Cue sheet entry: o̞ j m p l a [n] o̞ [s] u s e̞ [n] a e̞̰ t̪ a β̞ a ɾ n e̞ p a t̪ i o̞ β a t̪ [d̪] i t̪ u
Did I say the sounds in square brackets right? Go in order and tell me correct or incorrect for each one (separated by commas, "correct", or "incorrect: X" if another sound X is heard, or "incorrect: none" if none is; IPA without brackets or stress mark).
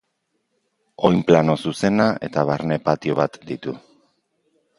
correct, correct, correct, correct